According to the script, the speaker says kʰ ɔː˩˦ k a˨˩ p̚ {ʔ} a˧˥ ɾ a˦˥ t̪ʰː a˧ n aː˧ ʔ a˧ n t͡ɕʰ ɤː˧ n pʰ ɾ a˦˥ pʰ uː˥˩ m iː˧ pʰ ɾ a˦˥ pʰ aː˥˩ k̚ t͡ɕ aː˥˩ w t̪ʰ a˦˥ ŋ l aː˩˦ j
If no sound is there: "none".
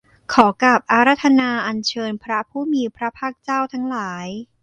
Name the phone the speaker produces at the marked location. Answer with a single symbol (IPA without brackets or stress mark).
ʔ